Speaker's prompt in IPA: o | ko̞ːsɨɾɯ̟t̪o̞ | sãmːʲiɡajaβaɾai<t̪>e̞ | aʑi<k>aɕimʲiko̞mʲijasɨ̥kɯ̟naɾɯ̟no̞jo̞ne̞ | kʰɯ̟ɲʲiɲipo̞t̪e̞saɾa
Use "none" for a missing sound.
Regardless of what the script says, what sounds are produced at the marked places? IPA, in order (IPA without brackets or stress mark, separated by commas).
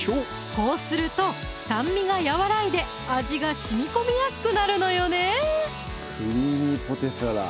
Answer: d̪, ɡ